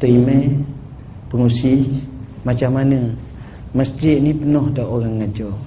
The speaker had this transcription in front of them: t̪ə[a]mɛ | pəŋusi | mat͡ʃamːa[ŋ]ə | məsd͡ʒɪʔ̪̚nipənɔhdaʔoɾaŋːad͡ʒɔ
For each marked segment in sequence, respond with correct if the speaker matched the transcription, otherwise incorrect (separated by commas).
incorrect, incorrect